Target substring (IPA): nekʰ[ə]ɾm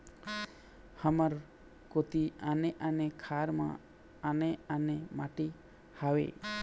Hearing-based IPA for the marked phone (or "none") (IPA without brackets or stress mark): a